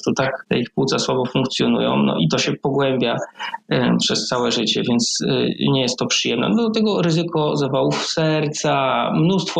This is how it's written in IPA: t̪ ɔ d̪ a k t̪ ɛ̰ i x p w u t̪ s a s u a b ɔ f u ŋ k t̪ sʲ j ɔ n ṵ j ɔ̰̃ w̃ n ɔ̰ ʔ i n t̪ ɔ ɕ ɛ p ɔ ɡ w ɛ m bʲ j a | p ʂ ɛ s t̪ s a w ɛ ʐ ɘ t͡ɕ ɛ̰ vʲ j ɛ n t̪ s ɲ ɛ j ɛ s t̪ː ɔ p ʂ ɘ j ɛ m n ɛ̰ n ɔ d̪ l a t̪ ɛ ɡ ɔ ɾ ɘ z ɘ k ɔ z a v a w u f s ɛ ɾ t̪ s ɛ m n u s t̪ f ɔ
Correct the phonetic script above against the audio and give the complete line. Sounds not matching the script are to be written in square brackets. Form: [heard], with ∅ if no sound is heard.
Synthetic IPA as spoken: t̪ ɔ [t̪] a k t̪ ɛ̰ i x p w u t̪ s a s [w] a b ɔ f u ŋ k t̪ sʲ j ɔ n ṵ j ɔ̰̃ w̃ n ɔ̰ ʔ i [∅] t̪ ɔ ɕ ɛ p ɔ ɡ w ɛ m bʲ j a | p ʂ ɛ s t̪ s a w ɛ ʐ ɘ t͡ɕ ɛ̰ vʲ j ɛ n t̪ s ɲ ɛ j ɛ s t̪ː ɔ p ʂ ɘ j ɛ m n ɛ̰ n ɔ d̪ l a t̪ ɛ ɡ ɔ ɾ ɘ z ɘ k ɔ z a v a w u f s ɛ ɾ t̪ s [a] m n u s t̪ f ɔ